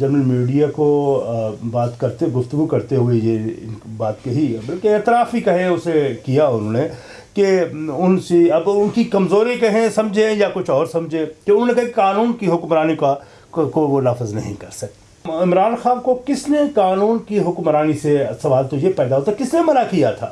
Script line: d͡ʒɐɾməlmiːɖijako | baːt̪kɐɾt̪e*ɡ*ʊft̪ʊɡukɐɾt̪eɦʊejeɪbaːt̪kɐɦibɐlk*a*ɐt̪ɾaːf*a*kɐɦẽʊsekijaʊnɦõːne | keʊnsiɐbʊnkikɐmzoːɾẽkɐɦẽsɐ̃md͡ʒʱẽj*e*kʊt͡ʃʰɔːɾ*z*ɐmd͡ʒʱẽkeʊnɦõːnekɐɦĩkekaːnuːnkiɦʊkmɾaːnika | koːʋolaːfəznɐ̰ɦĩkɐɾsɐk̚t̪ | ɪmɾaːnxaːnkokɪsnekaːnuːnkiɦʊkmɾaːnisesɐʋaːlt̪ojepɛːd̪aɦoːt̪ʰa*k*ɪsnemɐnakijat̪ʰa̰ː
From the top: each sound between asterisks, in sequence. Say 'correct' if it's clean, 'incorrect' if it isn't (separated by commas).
correct, incorrect, incorrect, incorrect, incorrect, correct